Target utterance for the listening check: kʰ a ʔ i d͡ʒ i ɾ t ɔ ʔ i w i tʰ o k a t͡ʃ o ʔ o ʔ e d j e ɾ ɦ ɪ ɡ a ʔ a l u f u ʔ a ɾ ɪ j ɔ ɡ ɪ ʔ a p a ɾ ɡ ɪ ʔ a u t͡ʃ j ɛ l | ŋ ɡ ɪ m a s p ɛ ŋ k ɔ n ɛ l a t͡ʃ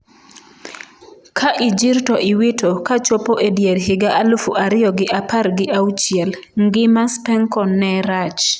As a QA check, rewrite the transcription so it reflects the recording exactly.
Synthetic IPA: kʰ a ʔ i d͡ʒ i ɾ t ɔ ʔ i w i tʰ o k a t͡ʃ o p o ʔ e d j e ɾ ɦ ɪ ɡ a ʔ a l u f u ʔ a ɾ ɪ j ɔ ɡ ɪ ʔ a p a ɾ ɡ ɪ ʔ a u t͡ʃ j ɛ l | ŋ ɡ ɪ m a s p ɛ ŋ k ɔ n ɛ ɾ a t͡ʃ